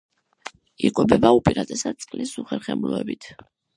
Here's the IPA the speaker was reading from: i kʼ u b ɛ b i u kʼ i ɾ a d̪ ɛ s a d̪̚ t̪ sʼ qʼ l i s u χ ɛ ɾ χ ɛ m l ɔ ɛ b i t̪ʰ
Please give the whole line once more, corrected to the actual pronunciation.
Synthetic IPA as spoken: i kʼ ɔ b ɛ b a u pʼ i ɾ a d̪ ɛ s a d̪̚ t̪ sʼ qʼ l i s u χ ɛ ɾ χ ɛ m l ɔ ɛ b i t̪ʰ